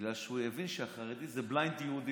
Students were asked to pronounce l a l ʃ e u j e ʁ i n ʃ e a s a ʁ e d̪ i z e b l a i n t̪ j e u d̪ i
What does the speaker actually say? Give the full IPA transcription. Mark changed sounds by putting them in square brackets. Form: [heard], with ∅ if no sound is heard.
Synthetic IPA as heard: l a l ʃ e u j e [v] i n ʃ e a [χ] a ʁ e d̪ i z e b l a [j] n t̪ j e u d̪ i